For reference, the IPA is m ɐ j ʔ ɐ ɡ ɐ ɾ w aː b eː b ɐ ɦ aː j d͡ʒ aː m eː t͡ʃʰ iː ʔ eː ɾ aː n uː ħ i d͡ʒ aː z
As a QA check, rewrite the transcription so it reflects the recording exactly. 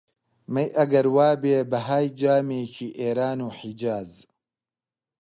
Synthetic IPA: m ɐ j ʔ ɐ ɡ ɐ ɾ w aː b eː b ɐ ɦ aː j d͡ʒ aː m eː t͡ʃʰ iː ʔ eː ɾ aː n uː ħ i d͡ʒ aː z